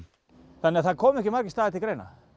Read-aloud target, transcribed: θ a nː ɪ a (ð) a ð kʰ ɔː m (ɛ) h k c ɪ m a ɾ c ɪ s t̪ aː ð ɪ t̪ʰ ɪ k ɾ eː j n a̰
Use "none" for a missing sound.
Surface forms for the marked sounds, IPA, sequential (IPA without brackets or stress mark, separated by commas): θ, ɛ